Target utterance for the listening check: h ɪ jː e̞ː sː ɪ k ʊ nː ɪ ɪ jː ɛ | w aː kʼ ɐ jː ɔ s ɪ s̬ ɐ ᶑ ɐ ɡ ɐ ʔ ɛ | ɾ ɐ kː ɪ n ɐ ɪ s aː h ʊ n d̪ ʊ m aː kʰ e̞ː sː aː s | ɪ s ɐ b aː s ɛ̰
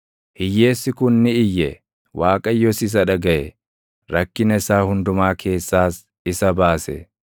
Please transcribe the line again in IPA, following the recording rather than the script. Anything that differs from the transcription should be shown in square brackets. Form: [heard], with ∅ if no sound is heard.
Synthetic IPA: h ɪ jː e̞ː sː ɪ k ʊ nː ɪ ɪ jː ɛ | w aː kʼ ɐ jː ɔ s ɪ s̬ ɐ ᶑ ɐ ɡ ɐ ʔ ɛ | ɾ ɐ kː ɪ n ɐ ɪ s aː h ʊ n d̪ ʊ m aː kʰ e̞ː sː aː s | ɪ s ɐ b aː s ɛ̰

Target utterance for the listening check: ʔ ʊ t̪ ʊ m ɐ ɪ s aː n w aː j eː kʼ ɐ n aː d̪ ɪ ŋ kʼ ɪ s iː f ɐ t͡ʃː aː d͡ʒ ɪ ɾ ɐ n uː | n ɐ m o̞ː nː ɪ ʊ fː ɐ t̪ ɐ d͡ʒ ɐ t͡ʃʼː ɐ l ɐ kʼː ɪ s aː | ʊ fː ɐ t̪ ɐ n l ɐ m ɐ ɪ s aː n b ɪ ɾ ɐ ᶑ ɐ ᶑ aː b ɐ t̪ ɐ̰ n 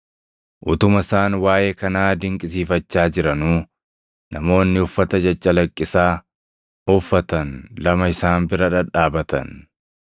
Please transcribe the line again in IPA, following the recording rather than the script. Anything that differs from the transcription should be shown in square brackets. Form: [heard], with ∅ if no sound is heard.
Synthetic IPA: ʔ ʊ t̪ ʊ m ɐ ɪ s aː n w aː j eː [k] ɐ n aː d̪ ɪ ŋ kʼ ɪ s iː f ɐ t͡ʃː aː d͡ʒ ɪ ɾ ɐ n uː | n ɐ m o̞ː nː ɪ ʊ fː ɐ t̪ ɐ d͡ʒ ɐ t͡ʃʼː ɐ l ɐ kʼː ɪ s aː | ʊ fː ɐ t̪ ɐ n l ɐ m ɐ ɪ s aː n b ɪ ɾ ɐ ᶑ ɐ ᶑ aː b ɐ t̪ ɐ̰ n

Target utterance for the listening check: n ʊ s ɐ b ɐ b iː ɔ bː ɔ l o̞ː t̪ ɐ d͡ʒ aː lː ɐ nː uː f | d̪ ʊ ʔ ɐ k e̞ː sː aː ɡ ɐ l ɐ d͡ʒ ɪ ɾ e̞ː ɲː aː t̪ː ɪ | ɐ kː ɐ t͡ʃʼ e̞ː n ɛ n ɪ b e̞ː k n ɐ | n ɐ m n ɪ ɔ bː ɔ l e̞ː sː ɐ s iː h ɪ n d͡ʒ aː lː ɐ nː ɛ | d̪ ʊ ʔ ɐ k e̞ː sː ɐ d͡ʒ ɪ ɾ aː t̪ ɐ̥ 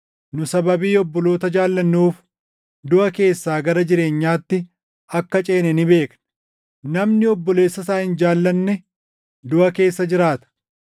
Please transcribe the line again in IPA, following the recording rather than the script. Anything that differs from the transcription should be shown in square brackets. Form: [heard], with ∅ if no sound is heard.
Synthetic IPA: n ʊ s ɐ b ɐ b iː ɔ bː ɔ l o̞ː t̪ ɐ d͡ʒ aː lː ɐ nː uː f | d̪ ʊ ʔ ɐ k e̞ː sː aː ɡ ɐ [ɾ] ɐ d͡ʒ ɪ ɾ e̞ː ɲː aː t̪ː ɪ | ɐ kː ɐ t͡ʃʼ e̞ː n ɛ n ɪ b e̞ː k n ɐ | n ɐ m n ɪ ɔ bː ɔ l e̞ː sː ɐ s [aː] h ɪ n d͡ʒ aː lː ɐ nː ɛ | d̪ ʊ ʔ ɐ k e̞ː sː ɐ d͡ʒ ɪ ɾ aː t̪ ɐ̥

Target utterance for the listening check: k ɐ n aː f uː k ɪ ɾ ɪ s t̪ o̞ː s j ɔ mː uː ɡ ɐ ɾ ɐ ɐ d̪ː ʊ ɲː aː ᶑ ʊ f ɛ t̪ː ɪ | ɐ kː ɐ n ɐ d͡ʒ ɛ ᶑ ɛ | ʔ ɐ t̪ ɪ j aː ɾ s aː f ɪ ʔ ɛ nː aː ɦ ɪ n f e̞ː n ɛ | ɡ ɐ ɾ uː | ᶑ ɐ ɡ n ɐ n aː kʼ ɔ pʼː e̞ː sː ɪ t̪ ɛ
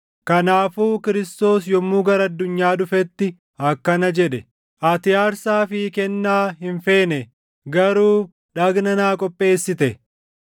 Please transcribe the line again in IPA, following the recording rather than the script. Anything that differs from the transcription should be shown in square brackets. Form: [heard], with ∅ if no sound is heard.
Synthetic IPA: k ɐ n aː f uː k ɪ ɾ ɪ s t̪ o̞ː s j ɔ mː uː ɡ ɐ ɾ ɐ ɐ d̪ː ʊ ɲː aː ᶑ ʊ f ɛ t̪ː ɪ | ɐ kː ɐ n ɐ d͡ʒ ɛ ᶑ ɛ | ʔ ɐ t̪ ɪ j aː ɾ s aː f ɪ [k] ɛ nː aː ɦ ɪ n f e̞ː n ɛ | ɡ ɐ ɾ uː | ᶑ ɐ ɡ n ɐ n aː kʼ ɔ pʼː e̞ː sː ɪ t̪ ɛ

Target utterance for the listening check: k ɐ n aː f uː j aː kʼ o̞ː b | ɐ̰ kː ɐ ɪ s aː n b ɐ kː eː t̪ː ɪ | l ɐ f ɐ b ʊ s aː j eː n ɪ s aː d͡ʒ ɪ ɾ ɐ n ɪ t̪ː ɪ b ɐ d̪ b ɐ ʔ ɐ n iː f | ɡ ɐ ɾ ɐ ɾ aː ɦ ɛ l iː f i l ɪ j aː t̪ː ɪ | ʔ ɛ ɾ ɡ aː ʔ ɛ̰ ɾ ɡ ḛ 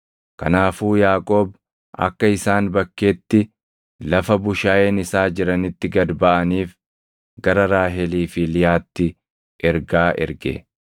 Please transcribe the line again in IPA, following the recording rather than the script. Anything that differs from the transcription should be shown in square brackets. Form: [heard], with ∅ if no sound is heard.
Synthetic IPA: k ɐ n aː f uː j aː kʼ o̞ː b | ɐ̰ kː ɐ ɪ s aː n b ɐ kː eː t̪ː ɪ | l ɐ f ɐ b ʊ [ʃ] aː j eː n ɪ s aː d͡ʒ ɪ ɾ ɐ n ɪ t̪ː ɪ [ɡ] ɐ d̪ b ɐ ʔ ɐ n iː f | ɡ ɐ ɾ ɐ ɾ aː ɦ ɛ l iː f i l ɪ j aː t̪ː ɪ | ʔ ɛ ɾ ɡ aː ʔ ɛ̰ ɾ ɡ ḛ

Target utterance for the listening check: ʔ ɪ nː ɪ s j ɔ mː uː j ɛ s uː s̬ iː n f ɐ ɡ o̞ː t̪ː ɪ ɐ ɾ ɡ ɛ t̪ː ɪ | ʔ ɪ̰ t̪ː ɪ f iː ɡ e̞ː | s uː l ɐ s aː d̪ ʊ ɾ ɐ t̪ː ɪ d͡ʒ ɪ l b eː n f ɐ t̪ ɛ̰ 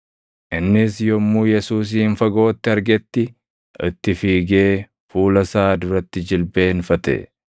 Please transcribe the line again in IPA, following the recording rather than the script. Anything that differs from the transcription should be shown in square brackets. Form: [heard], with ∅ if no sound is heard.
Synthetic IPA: ʔ ɪ nː ɪ s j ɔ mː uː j ɛ s uː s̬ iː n f ɐ ɡ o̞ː t̪ː ɪ ɐ ɾ ɡ ɛ t̪ː ɪ | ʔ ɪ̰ t̪ː ɪ f iː ɡ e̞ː | [f] uː l ɐ s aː d̪ ʊ ɾ ɐ t̪ː ɪ d͡ʒ ɪ l b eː n f ɐ t̪ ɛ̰

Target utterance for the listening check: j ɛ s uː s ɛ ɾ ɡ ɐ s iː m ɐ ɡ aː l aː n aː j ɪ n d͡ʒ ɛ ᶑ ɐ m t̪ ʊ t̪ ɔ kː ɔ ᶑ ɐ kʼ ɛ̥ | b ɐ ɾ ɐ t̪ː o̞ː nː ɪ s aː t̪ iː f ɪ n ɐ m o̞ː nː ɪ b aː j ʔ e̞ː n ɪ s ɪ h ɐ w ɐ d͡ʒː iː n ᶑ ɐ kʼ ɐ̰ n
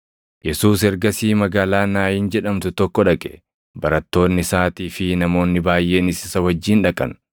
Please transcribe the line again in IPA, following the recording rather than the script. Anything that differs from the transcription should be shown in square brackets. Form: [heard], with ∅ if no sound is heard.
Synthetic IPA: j ɛ s uː s ɛ ɾ ɡ ɐ s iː m ɐ ɡ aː l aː n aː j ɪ n d͡ʒ ɛ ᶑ ɐ m t̪ ʊ t̪ ɔ kː ɔ ᶑ ɐ kʼ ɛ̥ | b ɐ ɾ ɐ t̪ː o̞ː nː ɪ s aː t̪ iː f ɪ n ɐ m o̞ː nː ɪ b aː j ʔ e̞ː n ɪ s ɪ [s] ɐ w ɐ d͡ʒː iː n ᶑ ɐ kʼ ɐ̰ n

